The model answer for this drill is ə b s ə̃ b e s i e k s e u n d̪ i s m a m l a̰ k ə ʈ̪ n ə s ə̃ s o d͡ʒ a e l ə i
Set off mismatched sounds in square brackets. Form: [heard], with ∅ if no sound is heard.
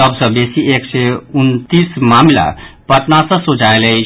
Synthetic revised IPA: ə b s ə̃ b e s i e k s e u n [t̪] i s m a m l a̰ [p] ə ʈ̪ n [a] s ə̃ s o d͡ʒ a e l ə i